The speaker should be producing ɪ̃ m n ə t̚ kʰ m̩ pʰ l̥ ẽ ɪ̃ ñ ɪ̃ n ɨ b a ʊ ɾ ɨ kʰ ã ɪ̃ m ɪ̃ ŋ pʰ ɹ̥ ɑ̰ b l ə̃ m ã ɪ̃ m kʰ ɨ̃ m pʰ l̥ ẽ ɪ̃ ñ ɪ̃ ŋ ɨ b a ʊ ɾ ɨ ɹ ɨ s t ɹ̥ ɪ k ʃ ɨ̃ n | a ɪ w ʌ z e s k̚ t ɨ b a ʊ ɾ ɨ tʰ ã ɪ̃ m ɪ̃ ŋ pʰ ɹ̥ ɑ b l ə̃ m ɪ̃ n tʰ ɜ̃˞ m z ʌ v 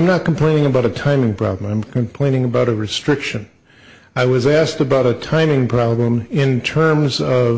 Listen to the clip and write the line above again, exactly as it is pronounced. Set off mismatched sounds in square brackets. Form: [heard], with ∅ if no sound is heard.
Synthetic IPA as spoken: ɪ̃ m n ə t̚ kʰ m̩ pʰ l̥ ẽ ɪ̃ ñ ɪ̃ [ŋ] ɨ b a ʊ ɾ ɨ [tʰ] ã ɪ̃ m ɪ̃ ŋ pʰ ɹ̥ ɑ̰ b l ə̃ m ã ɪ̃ m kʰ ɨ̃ m pʰ l̥ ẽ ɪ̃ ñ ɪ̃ ŋ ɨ b a ʊ ɾ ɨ ɹ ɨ s t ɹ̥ ɪ k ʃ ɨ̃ n | a ɪ w ʌ z [æ] s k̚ t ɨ b a ʊ ɾ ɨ tʰ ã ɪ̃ m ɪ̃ ŋ pʰ ɹ̥ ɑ b l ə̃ m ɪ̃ n tʰ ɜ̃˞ m z ʌ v